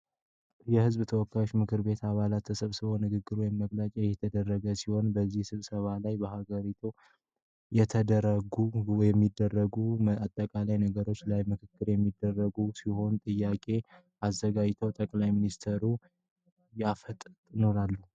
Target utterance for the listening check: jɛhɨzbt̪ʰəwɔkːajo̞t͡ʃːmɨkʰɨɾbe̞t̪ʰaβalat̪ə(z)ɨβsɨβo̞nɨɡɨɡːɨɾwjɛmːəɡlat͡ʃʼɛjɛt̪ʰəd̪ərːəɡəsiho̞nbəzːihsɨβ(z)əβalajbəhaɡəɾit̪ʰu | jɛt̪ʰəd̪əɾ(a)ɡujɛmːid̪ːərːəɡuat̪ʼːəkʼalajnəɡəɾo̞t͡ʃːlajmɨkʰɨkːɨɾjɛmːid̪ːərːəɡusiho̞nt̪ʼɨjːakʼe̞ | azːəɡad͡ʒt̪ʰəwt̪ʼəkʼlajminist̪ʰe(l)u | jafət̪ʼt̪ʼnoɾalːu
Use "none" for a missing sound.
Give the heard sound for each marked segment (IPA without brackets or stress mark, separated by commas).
s, s, ə, ɾ